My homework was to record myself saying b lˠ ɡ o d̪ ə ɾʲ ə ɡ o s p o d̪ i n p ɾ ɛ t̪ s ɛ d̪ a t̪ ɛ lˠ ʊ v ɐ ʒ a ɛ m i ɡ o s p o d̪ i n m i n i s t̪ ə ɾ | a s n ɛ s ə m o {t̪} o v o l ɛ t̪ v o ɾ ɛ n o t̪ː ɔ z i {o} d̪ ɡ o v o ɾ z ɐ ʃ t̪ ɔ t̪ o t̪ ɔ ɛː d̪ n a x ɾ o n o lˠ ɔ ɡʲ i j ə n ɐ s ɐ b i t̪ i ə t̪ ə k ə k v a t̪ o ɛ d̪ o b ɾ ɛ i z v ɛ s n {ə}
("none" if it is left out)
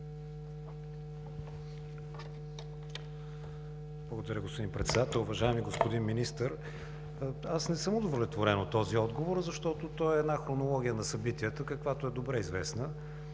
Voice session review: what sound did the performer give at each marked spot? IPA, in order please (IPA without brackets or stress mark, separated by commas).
d̪, ɔ, ə